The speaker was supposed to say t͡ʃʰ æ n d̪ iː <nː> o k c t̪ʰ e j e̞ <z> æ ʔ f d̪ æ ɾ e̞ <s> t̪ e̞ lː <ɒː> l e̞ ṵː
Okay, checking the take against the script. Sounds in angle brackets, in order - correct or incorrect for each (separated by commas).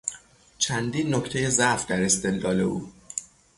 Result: correct, correct, correct, correct